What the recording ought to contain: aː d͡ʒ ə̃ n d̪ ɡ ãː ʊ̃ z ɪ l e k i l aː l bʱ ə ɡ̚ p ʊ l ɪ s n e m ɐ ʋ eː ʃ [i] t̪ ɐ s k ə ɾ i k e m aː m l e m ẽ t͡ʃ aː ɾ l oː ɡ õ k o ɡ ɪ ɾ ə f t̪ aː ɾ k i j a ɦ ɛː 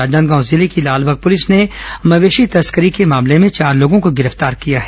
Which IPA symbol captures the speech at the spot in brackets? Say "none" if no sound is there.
i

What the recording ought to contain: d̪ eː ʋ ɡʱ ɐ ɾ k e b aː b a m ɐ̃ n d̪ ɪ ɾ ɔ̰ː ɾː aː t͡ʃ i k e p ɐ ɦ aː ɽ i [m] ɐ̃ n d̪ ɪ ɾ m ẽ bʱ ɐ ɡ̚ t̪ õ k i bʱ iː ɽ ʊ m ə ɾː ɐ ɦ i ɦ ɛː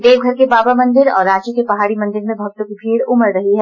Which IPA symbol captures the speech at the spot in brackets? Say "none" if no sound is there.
m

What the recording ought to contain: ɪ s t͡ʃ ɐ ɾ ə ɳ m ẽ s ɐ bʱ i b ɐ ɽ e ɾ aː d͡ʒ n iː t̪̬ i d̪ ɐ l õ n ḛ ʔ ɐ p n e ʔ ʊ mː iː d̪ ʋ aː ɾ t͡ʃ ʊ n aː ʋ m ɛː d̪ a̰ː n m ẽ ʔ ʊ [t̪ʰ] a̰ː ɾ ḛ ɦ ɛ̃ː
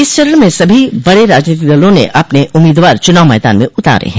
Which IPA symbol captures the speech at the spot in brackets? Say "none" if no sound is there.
t̪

